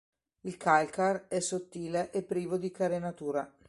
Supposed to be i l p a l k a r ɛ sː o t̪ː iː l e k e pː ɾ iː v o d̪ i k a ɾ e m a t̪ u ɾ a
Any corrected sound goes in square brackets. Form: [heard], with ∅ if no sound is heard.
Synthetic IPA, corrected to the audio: i l [k] a l k a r ɛ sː o t̪ː iː l e [ʔ] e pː ɾ iː v o d̪ i k a ɾ e [n] a t̪ [uː] ɾ a